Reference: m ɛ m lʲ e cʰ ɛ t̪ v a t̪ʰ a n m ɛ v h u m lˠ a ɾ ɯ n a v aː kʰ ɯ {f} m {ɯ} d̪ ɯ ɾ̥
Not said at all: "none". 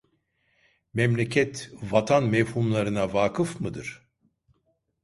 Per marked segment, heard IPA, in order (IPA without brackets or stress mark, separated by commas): f, ɯ